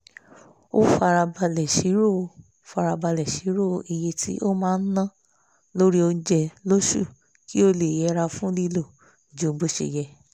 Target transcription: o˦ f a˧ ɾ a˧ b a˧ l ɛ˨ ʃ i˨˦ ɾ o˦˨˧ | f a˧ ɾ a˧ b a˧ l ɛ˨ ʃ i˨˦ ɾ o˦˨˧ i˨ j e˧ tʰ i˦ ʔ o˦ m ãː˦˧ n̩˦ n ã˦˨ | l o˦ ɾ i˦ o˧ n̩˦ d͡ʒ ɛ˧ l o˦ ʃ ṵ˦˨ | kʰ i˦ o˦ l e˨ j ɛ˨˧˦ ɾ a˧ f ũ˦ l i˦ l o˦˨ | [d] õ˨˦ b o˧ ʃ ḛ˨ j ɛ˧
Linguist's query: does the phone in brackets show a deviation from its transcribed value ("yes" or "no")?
yes